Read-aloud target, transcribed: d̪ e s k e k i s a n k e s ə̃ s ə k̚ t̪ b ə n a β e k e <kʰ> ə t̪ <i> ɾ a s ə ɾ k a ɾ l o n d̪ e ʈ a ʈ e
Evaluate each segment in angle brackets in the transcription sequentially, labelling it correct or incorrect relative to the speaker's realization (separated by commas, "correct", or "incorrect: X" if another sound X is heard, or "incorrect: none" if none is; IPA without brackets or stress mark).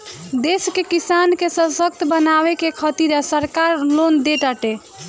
correct, correct